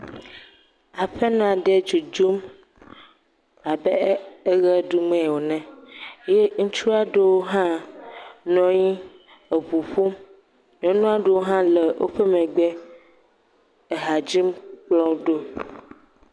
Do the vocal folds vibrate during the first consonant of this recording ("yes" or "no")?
no